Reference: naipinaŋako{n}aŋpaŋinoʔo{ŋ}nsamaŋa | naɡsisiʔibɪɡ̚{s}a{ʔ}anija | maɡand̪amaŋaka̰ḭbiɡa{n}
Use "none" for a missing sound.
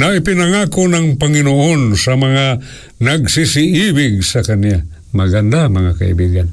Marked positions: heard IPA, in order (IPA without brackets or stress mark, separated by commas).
n, none, s, k, n